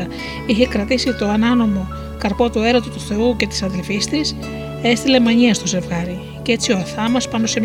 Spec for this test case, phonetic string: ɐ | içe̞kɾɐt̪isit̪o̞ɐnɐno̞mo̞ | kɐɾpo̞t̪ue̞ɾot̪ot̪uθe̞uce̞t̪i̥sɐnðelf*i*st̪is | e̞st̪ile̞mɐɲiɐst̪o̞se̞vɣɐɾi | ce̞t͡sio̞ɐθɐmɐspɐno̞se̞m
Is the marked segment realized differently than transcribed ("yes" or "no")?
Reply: no